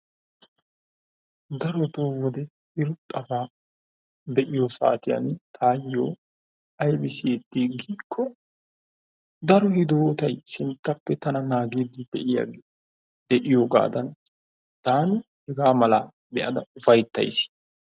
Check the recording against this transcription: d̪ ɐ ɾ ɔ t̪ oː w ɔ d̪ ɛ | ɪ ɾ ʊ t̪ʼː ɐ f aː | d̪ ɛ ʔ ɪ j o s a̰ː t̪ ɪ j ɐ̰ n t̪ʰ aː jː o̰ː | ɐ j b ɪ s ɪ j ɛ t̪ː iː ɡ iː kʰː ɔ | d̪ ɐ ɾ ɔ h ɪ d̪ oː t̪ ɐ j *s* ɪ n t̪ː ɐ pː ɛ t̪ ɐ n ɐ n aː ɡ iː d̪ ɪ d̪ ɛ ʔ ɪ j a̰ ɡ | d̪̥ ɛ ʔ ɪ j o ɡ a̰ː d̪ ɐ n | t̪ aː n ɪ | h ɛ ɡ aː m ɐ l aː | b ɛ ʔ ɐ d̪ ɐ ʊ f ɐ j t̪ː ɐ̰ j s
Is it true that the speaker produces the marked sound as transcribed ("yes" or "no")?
yes